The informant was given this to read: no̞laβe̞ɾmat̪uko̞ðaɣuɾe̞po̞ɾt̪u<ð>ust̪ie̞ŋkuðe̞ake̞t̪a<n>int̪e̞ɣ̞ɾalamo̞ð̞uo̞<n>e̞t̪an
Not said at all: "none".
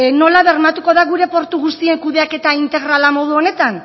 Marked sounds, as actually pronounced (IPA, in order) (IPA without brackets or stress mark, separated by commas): ɣ, none, n